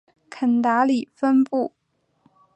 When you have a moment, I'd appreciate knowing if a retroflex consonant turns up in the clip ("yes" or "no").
no